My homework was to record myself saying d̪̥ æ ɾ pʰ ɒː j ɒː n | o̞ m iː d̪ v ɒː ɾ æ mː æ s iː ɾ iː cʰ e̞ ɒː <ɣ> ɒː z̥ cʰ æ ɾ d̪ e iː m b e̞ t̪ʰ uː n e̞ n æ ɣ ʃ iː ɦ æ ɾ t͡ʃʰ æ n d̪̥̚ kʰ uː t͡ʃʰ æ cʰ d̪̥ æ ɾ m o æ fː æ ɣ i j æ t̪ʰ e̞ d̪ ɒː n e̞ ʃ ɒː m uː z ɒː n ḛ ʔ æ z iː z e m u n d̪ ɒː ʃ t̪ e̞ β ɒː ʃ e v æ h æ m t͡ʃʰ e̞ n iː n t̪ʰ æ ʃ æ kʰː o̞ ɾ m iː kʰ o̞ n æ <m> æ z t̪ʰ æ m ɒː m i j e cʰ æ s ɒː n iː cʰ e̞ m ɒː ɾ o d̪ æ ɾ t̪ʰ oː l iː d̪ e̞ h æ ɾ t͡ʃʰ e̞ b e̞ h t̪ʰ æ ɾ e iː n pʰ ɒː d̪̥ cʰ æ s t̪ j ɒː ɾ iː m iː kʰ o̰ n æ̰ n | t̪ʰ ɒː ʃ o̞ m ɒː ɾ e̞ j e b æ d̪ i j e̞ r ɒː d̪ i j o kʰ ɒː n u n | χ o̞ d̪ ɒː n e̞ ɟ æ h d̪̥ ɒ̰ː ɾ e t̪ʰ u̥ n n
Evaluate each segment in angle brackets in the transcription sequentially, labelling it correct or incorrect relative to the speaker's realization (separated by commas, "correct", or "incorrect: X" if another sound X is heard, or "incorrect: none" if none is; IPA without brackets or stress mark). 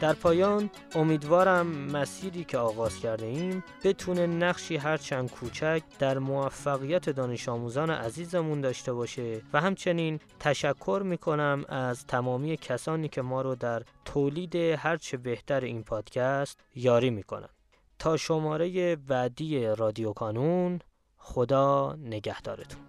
correct, correct